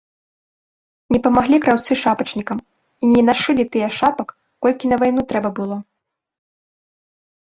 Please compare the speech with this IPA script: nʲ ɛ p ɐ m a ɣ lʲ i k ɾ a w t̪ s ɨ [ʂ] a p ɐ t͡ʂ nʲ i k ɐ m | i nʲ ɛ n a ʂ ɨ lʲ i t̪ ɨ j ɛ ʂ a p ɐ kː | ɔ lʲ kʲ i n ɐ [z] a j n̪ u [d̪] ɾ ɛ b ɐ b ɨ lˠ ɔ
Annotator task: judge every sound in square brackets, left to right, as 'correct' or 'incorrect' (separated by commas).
correct, incorrect, incorrect